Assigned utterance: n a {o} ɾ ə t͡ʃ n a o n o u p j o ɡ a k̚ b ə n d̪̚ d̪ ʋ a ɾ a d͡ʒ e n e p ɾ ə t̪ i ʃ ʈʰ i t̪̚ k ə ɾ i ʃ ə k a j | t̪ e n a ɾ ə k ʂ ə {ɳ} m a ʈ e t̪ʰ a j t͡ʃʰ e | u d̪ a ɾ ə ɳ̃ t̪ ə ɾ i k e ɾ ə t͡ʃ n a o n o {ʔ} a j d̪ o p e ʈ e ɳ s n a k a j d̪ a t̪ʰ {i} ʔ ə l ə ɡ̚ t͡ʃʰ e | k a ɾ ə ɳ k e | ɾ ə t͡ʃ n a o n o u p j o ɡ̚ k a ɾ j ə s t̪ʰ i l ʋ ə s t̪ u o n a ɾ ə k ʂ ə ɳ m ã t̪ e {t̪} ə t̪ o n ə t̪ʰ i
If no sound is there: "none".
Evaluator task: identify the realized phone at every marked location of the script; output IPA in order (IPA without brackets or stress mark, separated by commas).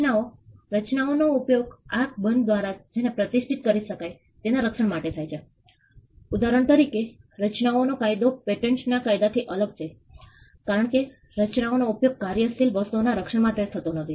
o, ɳ, k, i, t̪ʰ